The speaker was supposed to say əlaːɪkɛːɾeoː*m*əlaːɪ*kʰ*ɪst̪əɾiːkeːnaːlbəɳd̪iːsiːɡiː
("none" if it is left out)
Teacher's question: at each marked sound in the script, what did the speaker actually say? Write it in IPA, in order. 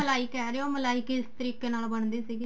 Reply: m, k

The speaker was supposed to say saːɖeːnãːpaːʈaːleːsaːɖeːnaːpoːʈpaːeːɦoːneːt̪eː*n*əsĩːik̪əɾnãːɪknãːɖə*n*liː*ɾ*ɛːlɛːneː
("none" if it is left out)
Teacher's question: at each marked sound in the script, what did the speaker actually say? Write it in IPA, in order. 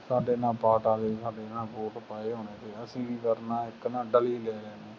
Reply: none, none, l

